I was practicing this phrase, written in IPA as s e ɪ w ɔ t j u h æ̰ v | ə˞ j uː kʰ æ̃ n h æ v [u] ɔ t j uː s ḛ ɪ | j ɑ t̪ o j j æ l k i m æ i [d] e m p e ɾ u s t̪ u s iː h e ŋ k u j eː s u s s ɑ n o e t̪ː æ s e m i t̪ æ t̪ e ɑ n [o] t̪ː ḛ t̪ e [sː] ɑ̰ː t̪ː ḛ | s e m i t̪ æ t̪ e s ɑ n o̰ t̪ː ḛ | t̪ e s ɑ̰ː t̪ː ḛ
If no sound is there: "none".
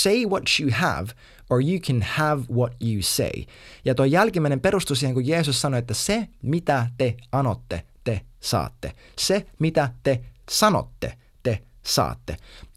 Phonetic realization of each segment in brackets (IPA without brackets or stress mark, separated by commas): w, n, o, s